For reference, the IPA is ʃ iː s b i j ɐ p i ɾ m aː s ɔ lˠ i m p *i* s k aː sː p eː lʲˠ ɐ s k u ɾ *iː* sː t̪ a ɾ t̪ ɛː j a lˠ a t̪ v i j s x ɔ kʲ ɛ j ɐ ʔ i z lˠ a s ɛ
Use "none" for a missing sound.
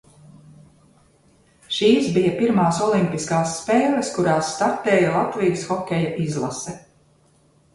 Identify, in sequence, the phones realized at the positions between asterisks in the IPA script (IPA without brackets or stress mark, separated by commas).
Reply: i, aː